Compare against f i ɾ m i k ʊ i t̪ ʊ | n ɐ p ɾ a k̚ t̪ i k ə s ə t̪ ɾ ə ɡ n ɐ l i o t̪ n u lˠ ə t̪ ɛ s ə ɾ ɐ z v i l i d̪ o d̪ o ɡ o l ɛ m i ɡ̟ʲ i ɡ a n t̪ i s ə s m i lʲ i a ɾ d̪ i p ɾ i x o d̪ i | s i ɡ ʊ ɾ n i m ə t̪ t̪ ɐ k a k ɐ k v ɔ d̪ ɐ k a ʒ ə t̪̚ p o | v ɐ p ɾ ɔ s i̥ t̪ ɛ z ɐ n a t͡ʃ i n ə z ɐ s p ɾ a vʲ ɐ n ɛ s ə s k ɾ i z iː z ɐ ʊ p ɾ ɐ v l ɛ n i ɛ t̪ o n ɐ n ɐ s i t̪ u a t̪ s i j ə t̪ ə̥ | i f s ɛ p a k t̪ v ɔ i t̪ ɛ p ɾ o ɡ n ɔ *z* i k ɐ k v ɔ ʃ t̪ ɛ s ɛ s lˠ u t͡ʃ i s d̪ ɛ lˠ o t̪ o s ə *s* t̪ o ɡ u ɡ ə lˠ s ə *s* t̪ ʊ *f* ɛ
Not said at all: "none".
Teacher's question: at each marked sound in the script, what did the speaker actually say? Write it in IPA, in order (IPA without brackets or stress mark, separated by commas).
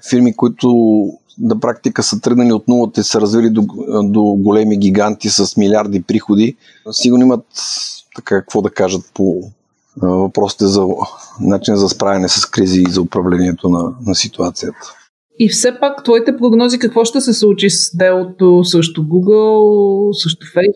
z, ʃ, ʃ, f